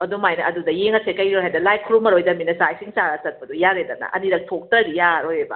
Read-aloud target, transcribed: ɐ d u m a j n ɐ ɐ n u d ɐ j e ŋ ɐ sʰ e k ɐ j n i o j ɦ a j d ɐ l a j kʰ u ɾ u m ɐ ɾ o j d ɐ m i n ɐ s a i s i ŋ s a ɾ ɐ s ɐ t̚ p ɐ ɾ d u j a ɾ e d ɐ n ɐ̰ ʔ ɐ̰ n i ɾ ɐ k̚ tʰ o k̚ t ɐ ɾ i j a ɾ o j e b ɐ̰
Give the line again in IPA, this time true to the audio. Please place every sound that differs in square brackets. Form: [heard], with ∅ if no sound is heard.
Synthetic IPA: ɐ d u m a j n ɐ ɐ [d] u d ɐ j e ŋ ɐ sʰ e k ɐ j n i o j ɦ a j d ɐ l a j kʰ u ɾ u m ɐ ɾ o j d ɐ m i n ɐ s a [j] s i ŋ s a ɾ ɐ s ɐ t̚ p ɐ [∅] d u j a ɾ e d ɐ n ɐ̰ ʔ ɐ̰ n i ɾ ɐ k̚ tʰ o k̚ t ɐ ɾ i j a ɾ o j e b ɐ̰